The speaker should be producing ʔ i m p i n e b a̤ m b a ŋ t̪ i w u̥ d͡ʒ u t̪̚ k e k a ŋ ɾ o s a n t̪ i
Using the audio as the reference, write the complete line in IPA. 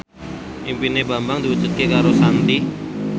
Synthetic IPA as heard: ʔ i m p i n e b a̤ m b a ŋ d̪ i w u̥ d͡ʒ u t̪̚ k e k a ɾ o s a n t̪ i